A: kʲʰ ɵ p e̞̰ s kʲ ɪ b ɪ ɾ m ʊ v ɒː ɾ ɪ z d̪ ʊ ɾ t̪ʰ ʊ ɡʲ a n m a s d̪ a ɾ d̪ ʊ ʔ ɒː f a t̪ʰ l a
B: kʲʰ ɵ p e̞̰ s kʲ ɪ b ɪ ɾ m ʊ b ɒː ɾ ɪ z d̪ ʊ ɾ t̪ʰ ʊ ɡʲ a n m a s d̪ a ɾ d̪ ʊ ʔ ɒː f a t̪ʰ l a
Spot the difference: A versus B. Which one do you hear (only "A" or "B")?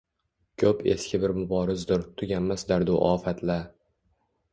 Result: B